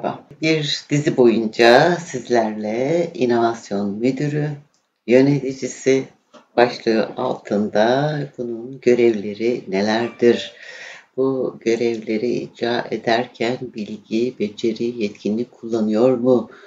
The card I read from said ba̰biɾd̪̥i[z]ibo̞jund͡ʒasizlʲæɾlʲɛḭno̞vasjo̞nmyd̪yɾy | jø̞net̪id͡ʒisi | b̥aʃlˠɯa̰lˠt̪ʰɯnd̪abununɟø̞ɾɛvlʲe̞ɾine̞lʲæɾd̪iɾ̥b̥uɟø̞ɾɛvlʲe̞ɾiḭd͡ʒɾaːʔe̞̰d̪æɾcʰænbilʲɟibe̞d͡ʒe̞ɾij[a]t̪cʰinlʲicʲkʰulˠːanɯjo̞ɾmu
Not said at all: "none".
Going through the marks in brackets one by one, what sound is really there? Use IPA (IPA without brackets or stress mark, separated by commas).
z, ɛ